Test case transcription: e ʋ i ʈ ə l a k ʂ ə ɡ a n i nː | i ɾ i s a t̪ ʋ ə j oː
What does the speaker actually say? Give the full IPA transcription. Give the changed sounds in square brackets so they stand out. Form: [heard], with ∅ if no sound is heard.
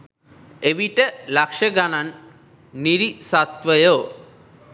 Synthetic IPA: e ʋ i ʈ ə l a k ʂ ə ɡ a n [a] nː | i ɾ i s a t̪ ʋ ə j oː